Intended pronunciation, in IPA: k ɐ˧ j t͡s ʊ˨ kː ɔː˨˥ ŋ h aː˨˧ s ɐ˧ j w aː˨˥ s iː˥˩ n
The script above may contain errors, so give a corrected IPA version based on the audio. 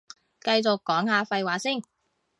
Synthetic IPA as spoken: k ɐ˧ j t͡s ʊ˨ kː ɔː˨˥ ŋ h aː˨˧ f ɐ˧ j w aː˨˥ s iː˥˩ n